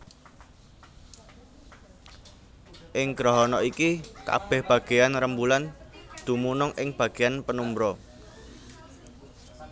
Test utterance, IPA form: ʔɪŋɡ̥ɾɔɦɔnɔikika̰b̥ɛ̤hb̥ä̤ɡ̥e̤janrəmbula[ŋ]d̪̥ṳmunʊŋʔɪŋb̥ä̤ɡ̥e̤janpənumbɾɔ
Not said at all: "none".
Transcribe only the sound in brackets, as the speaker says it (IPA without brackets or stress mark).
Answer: n